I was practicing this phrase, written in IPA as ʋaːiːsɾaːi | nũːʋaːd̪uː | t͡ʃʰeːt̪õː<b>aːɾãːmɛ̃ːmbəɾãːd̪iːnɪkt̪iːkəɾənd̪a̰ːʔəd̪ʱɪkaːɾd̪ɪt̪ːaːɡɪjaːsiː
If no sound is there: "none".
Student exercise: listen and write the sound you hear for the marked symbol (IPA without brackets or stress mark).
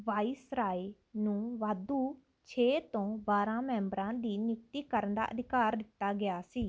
b